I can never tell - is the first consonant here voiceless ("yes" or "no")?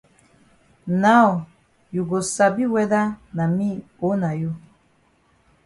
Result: no